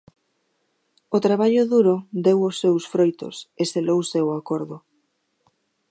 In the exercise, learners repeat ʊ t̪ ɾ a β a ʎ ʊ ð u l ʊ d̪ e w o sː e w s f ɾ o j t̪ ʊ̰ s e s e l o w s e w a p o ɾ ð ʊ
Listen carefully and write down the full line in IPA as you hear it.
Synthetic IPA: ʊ t̪ ɾ a β a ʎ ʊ ð u ɾ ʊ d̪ e w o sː e w s f ɾ o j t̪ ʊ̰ s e s e l o w s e w a k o ɾ ð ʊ